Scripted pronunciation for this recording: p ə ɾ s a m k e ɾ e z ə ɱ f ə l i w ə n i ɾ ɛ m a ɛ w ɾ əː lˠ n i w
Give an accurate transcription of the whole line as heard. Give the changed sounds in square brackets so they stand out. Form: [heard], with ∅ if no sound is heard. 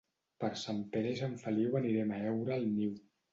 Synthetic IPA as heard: p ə ɾ s a m [p] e ɾ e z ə ɱ f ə l i w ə n i ɾ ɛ m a ɛ w ɾ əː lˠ n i w